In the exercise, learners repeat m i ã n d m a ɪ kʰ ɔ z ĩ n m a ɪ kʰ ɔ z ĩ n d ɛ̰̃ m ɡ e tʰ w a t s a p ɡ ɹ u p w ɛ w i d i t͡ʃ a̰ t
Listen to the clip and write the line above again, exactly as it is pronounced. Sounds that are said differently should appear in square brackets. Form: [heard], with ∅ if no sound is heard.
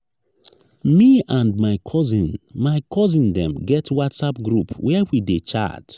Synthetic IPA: m i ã n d m a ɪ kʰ ɔ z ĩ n m a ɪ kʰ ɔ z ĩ n d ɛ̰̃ m ɡ [ɛ] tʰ w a t s a p ɡ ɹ u p w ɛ w i d [e] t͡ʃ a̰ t

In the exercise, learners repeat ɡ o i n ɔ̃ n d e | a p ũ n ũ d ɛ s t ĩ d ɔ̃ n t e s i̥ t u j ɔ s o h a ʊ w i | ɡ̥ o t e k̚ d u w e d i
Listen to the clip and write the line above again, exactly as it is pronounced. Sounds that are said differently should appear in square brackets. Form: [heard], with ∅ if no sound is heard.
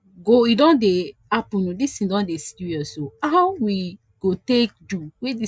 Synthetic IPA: ɡ o i [d] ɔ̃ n d e | a p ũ n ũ d [i] s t ĩ d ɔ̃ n [d] e s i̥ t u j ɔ s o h a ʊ w i | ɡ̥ o t e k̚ d u w e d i

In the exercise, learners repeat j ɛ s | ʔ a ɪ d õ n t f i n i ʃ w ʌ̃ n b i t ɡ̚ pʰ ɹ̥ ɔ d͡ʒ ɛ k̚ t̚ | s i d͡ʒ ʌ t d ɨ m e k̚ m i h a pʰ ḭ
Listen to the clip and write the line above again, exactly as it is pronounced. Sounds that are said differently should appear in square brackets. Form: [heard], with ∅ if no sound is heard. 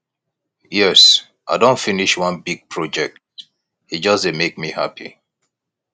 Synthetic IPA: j ɛ s | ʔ a ɪ d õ n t f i n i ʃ w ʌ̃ n b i [∅] ɡ̚ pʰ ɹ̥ ɔ d͡ʒ ɛ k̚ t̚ | [h] i d͡ʒ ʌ [s] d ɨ m e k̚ m i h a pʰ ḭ

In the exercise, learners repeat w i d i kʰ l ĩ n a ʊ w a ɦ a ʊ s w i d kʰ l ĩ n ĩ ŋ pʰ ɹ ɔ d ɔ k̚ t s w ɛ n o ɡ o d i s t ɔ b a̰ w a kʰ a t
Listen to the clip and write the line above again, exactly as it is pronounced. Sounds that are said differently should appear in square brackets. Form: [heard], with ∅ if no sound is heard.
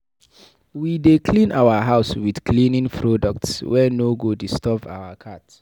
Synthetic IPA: w i d [e] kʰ l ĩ n a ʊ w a ɦ a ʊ s w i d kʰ l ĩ n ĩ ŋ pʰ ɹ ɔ d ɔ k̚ t s w ɛ n o ɡ o d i s t ɔ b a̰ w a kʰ a t

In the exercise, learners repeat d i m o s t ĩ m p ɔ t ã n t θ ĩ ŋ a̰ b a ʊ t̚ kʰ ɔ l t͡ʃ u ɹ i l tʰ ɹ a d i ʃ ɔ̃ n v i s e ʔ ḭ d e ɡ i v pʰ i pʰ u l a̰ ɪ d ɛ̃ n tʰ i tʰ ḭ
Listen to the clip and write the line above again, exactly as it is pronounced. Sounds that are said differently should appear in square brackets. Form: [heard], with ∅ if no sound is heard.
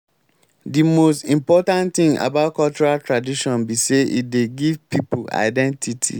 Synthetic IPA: d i m o s t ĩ m p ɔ t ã n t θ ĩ ŋ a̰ b a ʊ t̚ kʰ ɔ l t͡ʃ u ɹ [a] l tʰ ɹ a d i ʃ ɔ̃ n [b] i s e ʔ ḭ d e ɡ i v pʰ i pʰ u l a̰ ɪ d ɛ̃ n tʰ i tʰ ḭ

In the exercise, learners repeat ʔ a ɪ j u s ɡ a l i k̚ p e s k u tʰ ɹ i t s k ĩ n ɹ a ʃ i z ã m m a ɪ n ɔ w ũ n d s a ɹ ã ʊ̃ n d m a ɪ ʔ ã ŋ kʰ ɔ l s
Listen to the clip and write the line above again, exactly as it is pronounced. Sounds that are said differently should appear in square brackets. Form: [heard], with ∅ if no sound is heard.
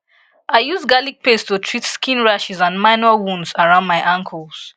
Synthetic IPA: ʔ a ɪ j u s ɡ a l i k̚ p e s [t] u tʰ ɹ i t s k ĩ n ɹ a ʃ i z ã [n] m a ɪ n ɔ w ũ n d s a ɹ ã ʊ̃ n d m a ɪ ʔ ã ŋ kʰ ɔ l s

